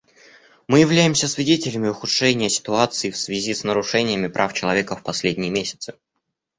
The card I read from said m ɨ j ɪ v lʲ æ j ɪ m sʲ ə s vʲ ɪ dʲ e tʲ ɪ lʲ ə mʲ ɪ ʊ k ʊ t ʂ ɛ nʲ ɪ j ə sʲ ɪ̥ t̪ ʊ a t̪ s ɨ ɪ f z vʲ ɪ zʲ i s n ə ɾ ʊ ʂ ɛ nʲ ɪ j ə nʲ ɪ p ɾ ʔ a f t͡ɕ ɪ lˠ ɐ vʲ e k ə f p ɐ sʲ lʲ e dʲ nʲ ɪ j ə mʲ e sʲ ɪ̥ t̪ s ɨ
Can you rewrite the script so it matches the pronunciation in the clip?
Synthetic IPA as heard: m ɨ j ɪ v lʲ æ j ɪ m sʲ ə s vʲ ɪ dʲ e tʲ ɪ lʲ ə mʲ ɪ ʊ x ʊ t ʂ ɛ nʲ ɪ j ə sʲ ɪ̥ t̪ ʊ a t̪ s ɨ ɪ f s vʲ ɪ zʲ i s n ə ɾ ʊ ʂ ɛ nʲ ɪ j ə mʲ ɪ p ɾ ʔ a f t͡ɕ ɪ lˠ ɐ vʲ e k ə f p ɐ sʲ lʲ e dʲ nʲ ɪ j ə mʲ e sʲ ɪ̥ t̪ s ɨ